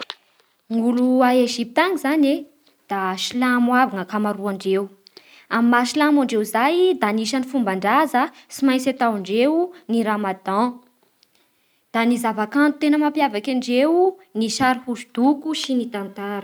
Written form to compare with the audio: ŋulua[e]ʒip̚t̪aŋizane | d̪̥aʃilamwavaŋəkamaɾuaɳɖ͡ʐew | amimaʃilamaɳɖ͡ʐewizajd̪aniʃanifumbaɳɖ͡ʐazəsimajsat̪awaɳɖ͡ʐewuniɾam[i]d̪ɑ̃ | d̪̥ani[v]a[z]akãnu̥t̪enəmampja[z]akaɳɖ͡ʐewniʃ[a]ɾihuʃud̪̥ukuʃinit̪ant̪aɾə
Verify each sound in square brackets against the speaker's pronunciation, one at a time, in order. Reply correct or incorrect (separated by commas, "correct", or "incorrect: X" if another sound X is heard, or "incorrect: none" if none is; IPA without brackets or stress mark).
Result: correct, incorrect: a, incorrect: z, incorrect: v, incorrect: v, correct